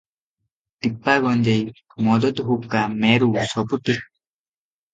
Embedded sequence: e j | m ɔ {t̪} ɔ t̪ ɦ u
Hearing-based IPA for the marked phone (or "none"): d̪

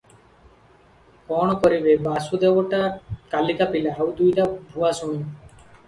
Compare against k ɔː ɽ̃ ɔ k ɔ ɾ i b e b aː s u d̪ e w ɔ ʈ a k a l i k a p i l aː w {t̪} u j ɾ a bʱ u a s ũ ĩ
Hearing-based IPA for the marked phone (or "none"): d̪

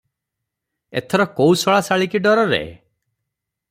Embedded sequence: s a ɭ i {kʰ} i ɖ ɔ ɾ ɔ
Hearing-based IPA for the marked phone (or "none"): k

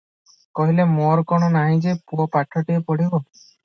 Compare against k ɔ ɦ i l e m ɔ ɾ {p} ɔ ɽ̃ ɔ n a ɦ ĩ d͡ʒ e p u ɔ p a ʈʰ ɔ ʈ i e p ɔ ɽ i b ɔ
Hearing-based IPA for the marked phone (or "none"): k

